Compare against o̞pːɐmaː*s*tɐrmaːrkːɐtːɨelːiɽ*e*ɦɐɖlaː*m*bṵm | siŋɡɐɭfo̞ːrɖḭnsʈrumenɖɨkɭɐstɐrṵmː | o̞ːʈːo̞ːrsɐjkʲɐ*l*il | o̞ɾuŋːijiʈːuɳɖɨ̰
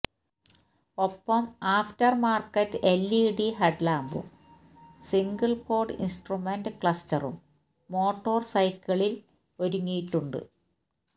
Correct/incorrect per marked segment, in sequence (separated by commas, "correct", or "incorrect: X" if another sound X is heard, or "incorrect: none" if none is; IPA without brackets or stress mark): incorrect: f, incorrect: i, correct, incorrect: ɭ